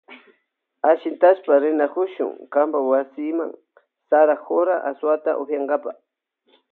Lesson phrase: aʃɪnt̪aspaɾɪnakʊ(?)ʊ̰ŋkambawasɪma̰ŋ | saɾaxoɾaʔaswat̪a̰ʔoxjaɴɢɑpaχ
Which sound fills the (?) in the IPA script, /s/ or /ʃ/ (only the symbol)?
ʃ